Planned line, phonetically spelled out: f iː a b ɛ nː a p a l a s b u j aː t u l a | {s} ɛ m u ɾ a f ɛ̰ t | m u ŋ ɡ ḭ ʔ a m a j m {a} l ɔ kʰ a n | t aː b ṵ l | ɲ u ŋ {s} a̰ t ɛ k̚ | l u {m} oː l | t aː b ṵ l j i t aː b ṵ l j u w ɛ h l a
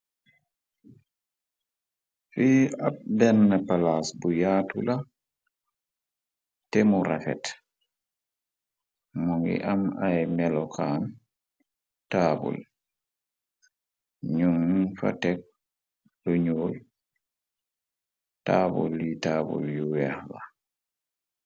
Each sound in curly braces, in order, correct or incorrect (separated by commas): incorrect, incorrect, incorrect, incorrect